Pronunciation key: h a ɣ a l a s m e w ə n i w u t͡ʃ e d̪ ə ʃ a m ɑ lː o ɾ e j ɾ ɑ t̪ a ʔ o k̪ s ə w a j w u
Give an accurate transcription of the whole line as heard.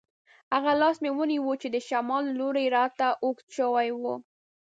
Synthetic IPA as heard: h a ɣ a l ɑ s m e w ə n i w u t͡ʃ e d̪ ə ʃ a m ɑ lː o ɾ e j ɾ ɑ t̪ a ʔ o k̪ ʃ ə w a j w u